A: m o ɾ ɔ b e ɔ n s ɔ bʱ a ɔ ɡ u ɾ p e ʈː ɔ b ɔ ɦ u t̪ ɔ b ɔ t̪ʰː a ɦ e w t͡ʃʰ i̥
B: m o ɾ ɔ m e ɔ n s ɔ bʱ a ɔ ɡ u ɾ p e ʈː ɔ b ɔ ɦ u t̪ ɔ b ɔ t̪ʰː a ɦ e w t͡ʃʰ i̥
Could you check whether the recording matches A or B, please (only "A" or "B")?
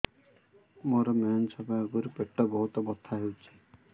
B